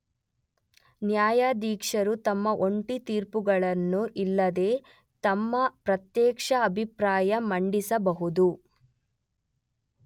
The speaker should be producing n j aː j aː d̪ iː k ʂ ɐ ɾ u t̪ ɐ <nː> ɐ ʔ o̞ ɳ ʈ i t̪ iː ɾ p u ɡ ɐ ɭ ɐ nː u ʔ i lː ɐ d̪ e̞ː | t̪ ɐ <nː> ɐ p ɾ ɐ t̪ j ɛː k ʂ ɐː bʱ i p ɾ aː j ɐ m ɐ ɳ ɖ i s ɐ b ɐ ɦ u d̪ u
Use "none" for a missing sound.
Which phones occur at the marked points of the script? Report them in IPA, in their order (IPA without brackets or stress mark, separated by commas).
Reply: mː, mː